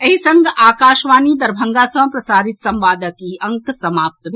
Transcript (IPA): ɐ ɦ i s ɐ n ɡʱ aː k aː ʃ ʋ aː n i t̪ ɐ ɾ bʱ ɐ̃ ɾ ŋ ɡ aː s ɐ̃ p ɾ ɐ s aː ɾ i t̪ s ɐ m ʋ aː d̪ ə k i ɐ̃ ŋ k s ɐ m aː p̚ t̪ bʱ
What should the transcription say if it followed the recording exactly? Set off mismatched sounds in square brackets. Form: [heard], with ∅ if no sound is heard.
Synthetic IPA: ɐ ɦ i s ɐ [ŋ] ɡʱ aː k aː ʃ ʋ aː n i [d̪] ɐ ɾ bʱ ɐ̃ [∅] ŋ ɡ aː s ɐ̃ p ɾ ɐ s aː ɾ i t̪ s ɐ m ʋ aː d̪ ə k i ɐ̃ ŋ k s ɐ m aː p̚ t̪ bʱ

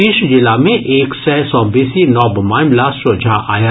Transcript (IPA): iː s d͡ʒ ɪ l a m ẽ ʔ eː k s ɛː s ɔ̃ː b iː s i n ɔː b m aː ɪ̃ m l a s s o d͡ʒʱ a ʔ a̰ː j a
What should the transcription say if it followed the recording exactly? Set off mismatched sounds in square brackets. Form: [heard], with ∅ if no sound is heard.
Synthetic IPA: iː [ʃ] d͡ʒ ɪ l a m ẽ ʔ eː k s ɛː s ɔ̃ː b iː s i n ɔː b m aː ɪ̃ m l a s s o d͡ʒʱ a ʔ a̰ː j a

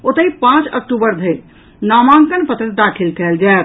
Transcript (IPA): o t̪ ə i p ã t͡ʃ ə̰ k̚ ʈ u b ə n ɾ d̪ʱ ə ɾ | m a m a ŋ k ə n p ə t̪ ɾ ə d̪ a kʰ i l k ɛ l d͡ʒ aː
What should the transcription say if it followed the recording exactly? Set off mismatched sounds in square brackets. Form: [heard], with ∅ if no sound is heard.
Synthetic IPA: o t̪ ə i p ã t͡ʃ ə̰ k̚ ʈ u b ə [∅] ɾ d̪ʱ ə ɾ | [n] a m a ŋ k ə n p ə t̪ ɾ ə d̪ a kʰ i l k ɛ l d͡ʒ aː

